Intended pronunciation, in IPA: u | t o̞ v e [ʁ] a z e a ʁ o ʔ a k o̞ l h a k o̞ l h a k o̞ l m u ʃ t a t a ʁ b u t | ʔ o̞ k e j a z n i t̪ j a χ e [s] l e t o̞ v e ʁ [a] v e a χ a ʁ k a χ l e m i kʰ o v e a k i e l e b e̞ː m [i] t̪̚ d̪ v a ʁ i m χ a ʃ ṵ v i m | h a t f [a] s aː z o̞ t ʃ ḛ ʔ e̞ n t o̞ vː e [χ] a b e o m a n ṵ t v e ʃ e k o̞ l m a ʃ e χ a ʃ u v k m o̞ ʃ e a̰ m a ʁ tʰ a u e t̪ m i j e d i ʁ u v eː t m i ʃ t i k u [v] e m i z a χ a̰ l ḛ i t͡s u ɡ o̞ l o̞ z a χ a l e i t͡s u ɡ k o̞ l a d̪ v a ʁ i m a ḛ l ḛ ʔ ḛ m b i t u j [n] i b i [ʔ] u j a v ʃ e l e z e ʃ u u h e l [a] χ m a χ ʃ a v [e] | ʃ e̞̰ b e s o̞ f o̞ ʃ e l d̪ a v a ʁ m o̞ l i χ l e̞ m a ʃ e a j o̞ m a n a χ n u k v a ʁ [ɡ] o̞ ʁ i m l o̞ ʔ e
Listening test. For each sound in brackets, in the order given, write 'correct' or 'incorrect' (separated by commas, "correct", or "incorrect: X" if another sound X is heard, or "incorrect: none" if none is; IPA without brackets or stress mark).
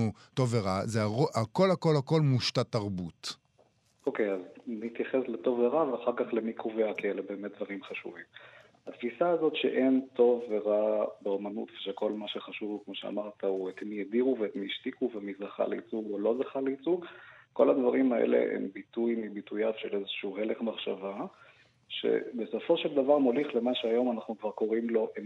correct, correct, correct, incorrect: e, incorrect: i, incorrect: ʁ, correct, incorrect: m, incorrect: t, incorrect: e, incorrect: a, incorrect: k